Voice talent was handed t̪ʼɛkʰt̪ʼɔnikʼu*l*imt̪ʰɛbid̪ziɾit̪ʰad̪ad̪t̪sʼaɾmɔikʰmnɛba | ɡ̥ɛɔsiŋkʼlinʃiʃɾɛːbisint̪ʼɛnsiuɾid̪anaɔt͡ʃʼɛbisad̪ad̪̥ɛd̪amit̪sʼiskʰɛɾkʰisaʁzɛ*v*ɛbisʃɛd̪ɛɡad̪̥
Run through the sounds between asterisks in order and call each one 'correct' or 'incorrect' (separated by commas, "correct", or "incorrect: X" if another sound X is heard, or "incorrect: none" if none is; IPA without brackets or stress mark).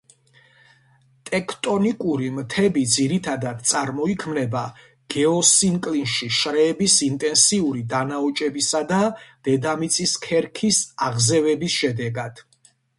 incorrect: ɾ, correct